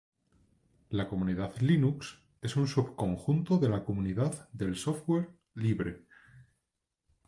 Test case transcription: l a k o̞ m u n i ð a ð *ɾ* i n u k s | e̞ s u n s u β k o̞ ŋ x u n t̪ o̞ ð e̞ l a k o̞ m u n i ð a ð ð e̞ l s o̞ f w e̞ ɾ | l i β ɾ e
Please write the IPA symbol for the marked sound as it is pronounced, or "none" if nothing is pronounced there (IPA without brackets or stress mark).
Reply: l